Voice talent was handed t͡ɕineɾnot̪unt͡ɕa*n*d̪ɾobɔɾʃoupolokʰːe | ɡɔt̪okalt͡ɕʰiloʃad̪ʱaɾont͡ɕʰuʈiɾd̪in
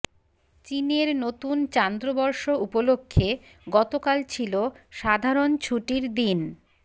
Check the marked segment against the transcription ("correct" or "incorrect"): correct